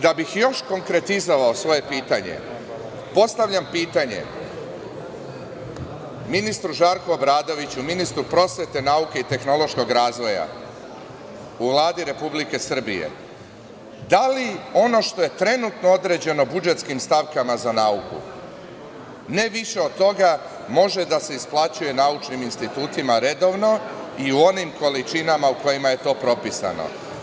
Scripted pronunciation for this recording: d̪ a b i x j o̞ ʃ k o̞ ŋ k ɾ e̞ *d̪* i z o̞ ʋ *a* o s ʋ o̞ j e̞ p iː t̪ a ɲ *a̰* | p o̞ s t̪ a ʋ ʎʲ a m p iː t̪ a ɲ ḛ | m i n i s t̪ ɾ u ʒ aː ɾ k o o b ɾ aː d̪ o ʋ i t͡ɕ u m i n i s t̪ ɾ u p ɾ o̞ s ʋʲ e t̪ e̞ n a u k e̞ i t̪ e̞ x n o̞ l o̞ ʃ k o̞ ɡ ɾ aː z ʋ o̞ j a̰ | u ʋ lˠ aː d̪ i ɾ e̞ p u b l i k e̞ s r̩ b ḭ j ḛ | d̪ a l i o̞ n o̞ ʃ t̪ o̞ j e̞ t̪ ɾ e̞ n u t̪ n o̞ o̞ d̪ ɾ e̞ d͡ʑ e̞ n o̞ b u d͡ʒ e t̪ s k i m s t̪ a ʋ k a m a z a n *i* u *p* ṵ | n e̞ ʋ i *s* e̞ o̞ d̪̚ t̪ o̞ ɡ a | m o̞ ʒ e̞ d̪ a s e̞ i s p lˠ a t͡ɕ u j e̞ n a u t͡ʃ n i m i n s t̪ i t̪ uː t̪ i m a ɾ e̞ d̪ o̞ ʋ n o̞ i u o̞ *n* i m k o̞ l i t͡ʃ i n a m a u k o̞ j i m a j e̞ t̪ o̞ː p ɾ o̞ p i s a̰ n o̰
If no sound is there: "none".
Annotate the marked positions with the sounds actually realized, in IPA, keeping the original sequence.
t̪, a, ḛ, a, k, ʃ, n

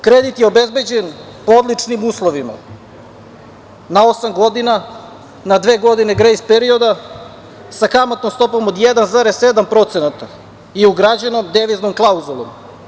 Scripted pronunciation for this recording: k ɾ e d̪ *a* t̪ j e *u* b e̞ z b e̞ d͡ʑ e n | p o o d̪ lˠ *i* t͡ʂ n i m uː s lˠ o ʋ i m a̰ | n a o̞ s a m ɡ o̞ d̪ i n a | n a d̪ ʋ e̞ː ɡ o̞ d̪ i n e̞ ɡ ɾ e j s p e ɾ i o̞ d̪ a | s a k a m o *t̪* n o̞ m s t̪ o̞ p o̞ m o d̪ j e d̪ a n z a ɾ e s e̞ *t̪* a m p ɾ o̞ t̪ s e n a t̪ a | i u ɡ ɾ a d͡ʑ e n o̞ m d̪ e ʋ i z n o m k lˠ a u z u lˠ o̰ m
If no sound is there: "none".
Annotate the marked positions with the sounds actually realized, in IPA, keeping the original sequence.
i, o, i, t̪, d̪

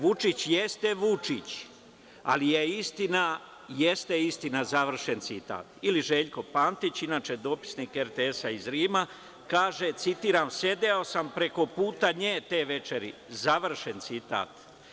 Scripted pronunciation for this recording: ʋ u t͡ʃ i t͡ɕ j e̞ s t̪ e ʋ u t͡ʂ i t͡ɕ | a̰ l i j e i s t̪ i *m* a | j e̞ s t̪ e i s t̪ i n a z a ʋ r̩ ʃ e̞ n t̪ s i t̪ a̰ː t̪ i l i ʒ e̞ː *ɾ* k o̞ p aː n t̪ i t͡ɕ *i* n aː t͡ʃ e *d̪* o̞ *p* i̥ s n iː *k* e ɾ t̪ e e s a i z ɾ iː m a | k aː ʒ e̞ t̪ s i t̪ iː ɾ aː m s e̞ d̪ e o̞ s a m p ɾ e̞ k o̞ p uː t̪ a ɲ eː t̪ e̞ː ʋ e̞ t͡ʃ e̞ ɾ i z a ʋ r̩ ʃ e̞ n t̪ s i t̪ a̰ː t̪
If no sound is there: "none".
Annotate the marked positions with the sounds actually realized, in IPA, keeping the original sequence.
n, ʎ, i, d̪, p, k

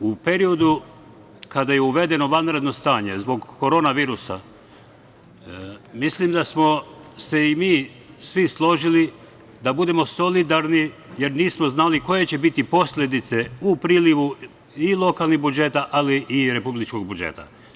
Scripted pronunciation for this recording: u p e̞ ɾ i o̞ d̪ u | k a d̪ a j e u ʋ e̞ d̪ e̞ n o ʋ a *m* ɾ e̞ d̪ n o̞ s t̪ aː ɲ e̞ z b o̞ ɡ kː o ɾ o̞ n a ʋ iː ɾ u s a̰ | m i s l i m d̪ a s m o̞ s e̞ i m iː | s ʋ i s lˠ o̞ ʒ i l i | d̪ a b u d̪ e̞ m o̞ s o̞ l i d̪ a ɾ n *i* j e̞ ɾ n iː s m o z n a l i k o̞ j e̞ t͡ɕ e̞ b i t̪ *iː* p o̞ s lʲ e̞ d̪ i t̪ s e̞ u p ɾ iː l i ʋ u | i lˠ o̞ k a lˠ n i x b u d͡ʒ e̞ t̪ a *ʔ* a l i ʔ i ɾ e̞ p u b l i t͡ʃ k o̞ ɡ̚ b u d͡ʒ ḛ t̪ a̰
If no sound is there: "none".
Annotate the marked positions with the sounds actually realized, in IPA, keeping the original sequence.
n, i, i, ʔ

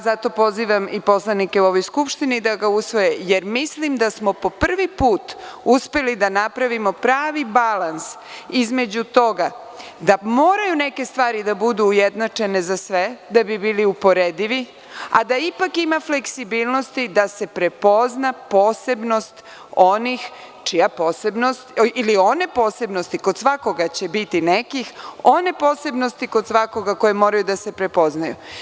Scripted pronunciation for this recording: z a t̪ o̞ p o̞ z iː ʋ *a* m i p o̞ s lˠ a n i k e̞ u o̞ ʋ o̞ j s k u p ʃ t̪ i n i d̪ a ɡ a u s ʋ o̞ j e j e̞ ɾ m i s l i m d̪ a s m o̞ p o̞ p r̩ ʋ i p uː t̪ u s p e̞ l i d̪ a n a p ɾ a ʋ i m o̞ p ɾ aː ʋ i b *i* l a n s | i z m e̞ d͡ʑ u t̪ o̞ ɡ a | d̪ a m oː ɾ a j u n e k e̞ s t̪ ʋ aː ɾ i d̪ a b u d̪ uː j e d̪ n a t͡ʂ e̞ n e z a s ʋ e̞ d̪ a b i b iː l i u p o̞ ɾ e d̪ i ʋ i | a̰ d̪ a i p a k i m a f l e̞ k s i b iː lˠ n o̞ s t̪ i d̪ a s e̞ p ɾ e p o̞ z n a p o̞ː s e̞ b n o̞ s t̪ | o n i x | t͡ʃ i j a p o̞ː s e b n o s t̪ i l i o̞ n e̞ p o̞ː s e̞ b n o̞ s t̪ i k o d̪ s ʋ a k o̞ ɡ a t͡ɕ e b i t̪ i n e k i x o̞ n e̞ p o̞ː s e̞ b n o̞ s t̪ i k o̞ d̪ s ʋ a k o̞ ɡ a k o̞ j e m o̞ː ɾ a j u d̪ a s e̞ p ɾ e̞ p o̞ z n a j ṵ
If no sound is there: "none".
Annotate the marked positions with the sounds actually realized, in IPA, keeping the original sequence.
a, a

